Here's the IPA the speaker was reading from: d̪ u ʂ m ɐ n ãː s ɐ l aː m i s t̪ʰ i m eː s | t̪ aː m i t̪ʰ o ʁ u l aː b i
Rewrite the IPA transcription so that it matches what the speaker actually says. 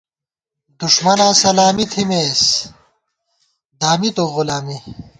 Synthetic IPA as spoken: d̪ u ʂ m ɐ n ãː s ɐ l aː m i t̪ʰ i m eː s | d̪ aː m i t̪ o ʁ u l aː m i